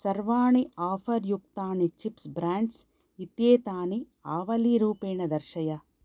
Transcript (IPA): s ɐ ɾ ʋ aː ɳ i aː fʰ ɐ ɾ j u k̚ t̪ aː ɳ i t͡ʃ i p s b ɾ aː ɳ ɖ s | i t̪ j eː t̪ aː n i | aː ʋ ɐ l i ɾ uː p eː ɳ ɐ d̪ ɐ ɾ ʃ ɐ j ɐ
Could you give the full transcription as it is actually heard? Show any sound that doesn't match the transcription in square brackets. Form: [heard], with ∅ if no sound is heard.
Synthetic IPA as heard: s ɐ ɾ ʋ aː ɳ i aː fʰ ɐ ɾ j u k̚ t̪ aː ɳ i t͡ʃ i p s b ɾ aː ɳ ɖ s | i t̪ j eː t̪ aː n i | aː ʋ ɐ l i ɾ uː p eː ɳ ɐ d̪ ɐ ɾ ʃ ɐ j ɐ